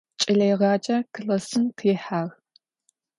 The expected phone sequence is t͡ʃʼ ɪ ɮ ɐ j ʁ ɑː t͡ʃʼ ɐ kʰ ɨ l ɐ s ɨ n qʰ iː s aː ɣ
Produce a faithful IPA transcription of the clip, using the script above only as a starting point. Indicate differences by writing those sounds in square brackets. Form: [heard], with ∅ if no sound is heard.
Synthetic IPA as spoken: t͡ʃʼ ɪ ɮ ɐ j ʁ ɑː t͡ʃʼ ɐ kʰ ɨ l ɐ s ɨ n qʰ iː [ħ] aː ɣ